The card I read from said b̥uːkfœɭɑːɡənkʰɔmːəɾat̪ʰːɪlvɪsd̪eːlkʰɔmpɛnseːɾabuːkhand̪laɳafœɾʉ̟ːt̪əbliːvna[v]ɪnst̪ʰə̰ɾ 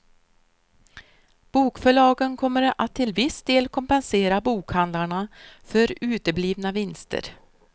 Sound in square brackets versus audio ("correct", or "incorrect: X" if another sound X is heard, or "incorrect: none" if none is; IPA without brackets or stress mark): correct